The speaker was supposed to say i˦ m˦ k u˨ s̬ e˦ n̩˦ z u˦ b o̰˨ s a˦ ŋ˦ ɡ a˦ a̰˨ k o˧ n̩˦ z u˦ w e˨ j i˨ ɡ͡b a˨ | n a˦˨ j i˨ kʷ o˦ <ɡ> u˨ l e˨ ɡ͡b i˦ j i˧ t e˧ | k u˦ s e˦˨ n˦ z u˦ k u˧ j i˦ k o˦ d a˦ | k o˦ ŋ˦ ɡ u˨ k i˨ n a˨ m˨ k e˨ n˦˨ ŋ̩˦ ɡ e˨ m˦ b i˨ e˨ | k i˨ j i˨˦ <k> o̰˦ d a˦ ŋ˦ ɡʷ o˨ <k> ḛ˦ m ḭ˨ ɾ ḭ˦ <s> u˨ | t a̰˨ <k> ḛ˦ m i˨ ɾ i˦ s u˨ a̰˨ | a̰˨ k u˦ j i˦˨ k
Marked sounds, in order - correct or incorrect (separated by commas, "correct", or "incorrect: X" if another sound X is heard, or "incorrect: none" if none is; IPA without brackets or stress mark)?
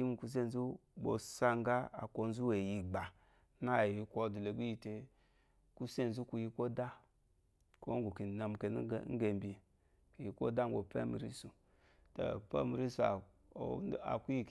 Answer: incorrect: d, correct, incorrect: p, correct, incorrect: p